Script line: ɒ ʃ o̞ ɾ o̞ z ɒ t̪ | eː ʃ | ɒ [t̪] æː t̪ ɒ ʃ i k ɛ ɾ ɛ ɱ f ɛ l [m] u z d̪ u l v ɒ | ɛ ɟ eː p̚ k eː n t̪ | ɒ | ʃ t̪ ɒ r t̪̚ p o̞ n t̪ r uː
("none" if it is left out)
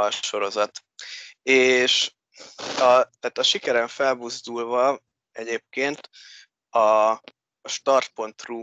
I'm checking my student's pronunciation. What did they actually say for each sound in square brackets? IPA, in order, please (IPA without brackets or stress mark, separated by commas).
t̪, b